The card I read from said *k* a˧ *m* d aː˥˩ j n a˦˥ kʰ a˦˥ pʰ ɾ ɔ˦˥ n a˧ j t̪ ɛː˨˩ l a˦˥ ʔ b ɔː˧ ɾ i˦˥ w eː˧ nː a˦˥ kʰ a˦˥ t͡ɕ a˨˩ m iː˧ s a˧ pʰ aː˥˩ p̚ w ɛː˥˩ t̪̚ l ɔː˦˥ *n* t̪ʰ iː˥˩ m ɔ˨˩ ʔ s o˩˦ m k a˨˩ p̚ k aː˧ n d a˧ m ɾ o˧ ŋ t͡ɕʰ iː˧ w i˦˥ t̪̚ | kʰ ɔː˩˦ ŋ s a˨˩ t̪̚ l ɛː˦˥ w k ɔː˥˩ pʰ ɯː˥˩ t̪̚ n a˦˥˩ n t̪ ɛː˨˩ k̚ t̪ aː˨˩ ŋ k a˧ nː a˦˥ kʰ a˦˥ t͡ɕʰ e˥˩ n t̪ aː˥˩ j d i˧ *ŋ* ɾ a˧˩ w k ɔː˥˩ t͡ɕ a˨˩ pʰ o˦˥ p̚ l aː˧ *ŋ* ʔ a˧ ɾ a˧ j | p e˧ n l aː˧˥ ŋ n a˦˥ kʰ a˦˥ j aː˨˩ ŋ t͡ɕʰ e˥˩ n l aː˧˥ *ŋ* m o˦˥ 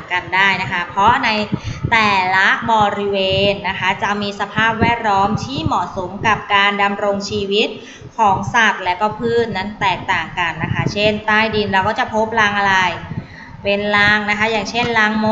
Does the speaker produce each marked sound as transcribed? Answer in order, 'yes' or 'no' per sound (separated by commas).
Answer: yes, no, no, no, yes, yes